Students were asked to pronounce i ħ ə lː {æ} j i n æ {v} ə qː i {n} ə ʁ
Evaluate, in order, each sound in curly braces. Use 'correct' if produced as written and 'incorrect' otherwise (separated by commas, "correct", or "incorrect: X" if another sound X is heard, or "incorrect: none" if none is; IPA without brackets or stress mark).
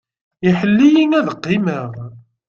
incorrect: i, incorrect: ð, incorrect: m